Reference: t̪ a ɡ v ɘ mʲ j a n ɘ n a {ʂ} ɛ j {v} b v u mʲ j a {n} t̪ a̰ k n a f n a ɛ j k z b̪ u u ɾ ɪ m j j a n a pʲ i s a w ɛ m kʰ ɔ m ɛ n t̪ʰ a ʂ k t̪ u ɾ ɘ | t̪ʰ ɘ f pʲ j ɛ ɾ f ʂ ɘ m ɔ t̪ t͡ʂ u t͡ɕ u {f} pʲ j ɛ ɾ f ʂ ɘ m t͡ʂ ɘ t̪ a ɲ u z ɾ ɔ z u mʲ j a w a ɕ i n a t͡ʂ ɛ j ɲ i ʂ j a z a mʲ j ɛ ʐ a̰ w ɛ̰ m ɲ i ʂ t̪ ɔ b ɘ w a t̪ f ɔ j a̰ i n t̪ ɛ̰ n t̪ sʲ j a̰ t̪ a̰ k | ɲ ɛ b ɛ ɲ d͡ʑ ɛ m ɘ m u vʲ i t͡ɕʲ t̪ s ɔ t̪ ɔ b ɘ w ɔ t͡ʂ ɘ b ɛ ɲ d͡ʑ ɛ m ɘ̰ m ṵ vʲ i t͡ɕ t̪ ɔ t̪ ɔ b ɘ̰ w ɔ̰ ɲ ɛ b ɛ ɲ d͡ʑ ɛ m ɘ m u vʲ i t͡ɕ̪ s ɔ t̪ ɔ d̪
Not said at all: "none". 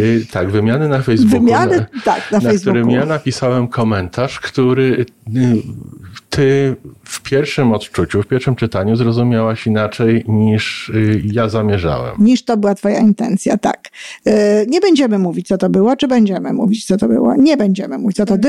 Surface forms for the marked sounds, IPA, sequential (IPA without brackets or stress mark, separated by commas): f, z, n, f